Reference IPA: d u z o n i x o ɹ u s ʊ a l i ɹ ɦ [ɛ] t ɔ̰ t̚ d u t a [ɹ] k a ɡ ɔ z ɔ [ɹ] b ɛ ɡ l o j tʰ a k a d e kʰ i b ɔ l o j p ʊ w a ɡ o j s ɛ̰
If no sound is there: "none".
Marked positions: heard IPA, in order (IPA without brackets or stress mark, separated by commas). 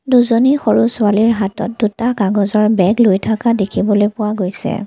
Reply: a, none, ɹ